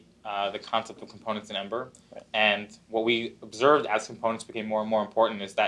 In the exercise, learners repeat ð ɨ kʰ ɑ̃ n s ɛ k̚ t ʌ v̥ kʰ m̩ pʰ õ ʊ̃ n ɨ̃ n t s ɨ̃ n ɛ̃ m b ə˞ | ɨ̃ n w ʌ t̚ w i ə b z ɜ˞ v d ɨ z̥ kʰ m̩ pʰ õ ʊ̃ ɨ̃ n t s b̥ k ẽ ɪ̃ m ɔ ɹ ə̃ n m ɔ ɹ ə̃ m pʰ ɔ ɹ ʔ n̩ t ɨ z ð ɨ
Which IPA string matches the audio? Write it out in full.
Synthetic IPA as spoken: ð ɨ kʰ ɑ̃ n s ɛ p̚ t ʌ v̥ kʰ m̩ pʰ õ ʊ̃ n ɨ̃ n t s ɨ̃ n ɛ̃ m b ə˞ | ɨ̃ n w ʌ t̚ w i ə b z ɜ˞ v d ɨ z̥ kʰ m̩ pʰ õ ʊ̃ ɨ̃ n t s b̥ k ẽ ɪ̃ m ɔ ɹ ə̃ n m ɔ ɹ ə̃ m pʰ ɔ ɹ ʔ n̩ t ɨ z ð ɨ